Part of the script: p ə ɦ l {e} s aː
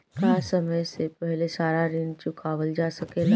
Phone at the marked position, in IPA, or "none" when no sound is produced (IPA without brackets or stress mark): e